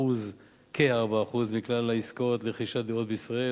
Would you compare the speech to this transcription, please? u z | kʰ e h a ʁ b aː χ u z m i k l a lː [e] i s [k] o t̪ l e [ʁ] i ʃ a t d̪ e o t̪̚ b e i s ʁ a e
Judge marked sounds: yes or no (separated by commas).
no, yes, no